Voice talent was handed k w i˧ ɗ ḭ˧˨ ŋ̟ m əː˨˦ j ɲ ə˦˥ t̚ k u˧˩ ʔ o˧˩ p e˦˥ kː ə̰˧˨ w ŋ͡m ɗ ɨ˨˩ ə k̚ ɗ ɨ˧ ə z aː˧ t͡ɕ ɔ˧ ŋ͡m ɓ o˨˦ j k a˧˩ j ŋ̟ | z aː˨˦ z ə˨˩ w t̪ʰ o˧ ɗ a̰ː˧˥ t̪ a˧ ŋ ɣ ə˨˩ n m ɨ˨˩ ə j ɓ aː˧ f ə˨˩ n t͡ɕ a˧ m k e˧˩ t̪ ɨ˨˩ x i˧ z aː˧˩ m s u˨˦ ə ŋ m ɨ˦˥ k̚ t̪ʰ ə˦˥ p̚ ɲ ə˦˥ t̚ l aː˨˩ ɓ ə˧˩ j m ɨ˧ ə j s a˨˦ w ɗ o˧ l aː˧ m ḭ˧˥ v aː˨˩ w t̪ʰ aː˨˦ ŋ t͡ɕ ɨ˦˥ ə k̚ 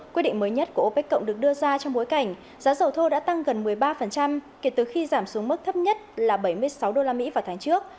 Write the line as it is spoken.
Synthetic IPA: k w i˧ ɗ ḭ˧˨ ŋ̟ m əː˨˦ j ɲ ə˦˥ t̚ k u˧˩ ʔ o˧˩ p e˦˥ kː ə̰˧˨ w ŋ͡m ɗ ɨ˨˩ ə k̚ ɗ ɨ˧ ə z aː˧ t͡ɕ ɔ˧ ŋ͡m ɓ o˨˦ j k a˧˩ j ŋ̟ | z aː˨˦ z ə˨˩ w t̪ʰ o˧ ɗ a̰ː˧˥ t̪ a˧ ŋ ɣ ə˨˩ n m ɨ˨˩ ə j ɓ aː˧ f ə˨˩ n t͡ɕ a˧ m k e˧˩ t̪ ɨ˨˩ x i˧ z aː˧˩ m s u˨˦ ə ŋ m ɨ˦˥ k̚ t̪ʰ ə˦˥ p̚ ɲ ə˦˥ t̚ l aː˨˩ ɓ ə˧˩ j m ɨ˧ ə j s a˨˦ w ɗ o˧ l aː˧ m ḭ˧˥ v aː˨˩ w t̪ʰ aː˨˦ ŋ t͡ɕ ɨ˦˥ ə k̚